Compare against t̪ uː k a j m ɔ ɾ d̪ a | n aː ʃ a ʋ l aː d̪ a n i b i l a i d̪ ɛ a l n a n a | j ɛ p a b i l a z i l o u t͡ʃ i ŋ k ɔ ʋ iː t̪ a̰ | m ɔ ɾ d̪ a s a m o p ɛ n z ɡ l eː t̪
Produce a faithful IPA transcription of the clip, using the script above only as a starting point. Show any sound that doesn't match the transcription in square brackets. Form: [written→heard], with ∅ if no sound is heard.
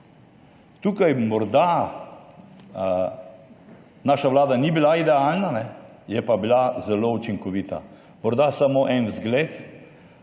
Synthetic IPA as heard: t̪ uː k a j m ɔ ɾ d̪ a | n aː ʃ a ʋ l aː d̪ a n i b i l a i d̪ ɛ a l n a n [a→ɛ] | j ɛ p a b i l a z [i→ɛ] l o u t͡ʃ i ŋ k ɔ ʋ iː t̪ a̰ | m ɔ ɾ d̪ a s a m o [p→ʔ] ɛ n z ɡ l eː t̪